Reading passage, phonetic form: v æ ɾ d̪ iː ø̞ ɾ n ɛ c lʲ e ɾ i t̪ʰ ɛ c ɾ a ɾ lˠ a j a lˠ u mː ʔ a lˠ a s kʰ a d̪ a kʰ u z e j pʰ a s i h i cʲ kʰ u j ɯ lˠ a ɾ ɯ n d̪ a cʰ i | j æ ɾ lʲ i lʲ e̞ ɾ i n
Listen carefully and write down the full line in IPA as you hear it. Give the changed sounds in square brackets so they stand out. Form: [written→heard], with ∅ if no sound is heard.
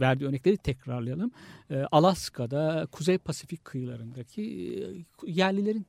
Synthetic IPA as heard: v æ ɾ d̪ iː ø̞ ɾ n ɛ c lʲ e ɾ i t̪ʰ ɛ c ɾ a ɾ lˠ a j a lˠ [u→ɯ] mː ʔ a lˠ a s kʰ a d̪ a kʰ u z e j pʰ a s i [h→f] i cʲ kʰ [u→ɯ] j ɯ lˠ a ɾ ɯ n d̪ a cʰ i | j æ ɾ lʲ i lʲ e̞ ɾ i n